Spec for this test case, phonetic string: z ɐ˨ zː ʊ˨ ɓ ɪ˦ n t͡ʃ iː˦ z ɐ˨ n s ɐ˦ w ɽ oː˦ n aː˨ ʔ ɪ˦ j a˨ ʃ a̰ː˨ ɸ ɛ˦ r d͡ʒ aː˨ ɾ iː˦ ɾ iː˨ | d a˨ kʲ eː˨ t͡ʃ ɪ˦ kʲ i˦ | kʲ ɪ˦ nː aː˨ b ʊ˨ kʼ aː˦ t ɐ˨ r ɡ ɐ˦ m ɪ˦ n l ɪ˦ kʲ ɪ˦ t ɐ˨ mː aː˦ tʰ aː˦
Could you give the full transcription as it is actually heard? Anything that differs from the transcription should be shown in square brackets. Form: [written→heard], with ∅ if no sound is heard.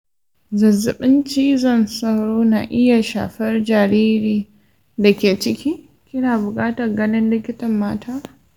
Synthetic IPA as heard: z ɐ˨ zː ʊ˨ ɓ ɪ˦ n t͡ʃ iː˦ z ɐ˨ n s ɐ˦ w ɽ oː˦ n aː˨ ʔ ɪ˦ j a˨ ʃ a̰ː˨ ɸ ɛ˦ r d͡ʒ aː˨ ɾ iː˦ ɾ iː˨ | d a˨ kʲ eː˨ t͡ʃ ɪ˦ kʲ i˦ | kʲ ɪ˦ [nː→n] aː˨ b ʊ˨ kʼ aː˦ t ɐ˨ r ɡ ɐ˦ [m→n] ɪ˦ n l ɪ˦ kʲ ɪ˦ t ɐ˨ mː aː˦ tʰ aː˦